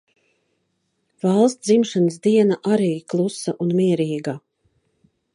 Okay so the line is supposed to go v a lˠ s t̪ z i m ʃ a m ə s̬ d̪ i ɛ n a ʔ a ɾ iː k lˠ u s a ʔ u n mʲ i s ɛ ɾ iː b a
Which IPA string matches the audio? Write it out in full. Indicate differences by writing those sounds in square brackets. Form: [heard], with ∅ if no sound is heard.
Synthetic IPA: v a lˠ s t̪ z i m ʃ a [n] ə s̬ d̪ i ɛ n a ʔ a ɾ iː k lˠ u s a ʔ u n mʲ i [∅] ɛ ɾ iː [ɡ] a